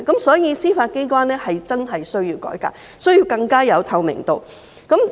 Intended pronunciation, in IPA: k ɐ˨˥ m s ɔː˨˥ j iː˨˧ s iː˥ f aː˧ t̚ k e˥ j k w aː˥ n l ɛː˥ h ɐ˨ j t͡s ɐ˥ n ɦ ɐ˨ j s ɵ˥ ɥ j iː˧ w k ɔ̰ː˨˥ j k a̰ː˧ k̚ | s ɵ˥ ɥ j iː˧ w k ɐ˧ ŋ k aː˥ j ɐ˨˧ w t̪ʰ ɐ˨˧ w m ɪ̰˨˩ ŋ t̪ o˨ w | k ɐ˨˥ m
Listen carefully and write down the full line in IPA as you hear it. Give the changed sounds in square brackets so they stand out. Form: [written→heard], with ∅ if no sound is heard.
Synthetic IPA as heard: k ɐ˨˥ m s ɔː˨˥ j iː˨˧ s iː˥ f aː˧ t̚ k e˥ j k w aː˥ n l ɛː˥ h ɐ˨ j t͡s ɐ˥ n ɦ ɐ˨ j s ɵ˥ ɥ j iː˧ w k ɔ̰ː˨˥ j k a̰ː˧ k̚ | s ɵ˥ ɥ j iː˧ w k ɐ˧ ŋ k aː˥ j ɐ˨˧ w t̪ʰ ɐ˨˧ w m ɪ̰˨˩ ŋ t̪ o˨ w | k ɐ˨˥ m